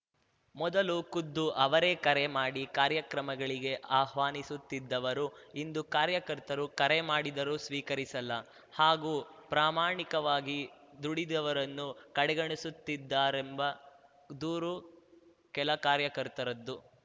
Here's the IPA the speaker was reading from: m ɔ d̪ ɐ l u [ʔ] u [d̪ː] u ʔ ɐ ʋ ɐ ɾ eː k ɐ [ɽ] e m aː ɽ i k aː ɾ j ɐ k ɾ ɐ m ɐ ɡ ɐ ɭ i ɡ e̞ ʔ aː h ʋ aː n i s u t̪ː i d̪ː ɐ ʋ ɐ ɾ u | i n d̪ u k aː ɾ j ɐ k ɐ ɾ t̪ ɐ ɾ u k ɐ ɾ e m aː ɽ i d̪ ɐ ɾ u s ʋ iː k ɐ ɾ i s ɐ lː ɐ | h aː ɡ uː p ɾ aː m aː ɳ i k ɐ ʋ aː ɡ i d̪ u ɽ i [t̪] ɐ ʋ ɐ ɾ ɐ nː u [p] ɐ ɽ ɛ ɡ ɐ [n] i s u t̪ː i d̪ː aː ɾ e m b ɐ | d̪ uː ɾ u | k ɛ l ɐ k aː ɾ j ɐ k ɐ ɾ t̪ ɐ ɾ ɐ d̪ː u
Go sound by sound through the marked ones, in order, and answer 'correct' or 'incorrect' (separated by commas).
incorrect, correct, incorrect, incorrect, incorrect, incorrect